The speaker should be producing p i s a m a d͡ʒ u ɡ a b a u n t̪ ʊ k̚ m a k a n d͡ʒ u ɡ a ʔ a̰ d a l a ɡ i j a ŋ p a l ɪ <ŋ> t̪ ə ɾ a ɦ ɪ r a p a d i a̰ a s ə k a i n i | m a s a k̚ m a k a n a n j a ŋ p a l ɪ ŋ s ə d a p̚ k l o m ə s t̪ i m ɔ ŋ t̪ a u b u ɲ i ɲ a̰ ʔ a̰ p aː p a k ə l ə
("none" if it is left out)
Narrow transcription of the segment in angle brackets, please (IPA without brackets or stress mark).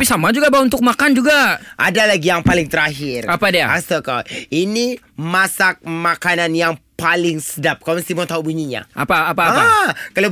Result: ŋ